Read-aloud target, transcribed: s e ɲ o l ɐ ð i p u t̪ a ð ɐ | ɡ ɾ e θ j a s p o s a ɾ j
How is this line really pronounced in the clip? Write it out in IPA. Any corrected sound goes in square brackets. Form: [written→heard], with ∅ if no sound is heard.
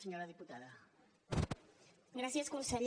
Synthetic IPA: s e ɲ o [l→ɾ] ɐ ð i p u t̪ a ð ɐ | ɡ ɾ [e→a] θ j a s [p→k] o s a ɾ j